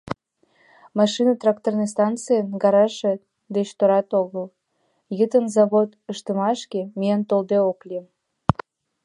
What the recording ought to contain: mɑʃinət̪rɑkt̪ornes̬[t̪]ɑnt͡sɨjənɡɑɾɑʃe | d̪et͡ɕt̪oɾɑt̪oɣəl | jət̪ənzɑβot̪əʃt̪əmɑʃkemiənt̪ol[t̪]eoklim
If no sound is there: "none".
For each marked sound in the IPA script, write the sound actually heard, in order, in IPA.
t̪, d̪

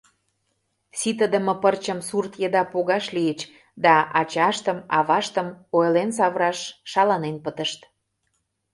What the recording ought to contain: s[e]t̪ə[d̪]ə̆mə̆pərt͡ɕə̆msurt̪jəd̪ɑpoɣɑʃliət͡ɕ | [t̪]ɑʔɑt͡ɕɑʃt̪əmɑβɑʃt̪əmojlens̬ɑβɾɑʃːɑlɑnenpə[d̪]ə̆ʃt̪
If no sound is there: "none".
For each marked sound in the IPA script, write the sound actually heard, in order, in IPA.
i, d̪, d̪, t̪

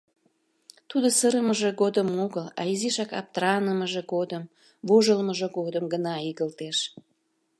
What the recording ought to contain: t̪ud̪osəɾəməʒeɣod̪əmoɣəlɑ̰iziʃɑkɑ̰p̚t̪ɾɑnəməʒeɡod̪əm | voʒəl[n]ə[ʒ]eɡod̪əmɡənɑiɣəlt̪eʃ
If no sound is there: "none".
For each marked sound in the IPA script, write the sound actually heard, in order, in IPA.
m, ʒ

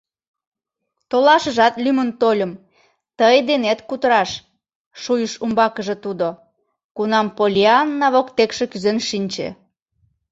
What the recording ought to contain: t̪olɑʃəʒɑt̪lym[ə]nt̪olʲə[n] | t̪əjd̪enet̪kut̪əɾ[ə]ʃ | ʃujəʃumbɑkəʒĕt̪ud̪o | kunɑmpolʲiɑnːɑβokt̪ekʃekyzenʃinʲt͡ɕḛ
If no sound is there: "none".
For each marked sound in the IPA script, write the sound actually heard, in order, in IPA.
ə, m, ɑ

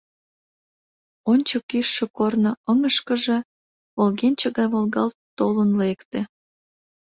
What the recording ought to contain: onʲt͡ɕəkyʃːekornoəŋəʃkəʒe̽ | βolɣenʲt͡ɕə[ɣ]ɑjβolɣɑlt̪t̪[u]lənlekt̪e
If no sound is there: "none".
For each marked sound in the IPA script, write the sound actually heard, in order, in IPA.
ɣ, o

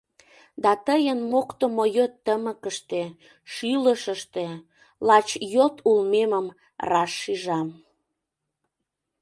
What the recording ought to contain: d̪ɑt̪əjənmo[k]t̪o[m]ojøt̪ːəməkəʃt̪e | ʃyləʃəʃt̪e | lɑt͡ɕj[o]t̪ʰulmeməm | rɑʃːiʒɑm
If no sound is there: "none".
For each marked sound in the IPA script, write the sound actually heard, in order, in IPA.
k, m, o

